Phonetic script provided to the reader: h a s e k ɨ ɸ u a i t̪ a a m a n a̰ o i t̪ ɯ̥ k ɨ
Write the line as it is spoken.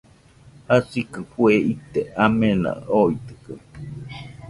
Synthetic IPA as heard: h a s i k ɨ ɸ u e i t̪ e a m e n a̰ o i t̪ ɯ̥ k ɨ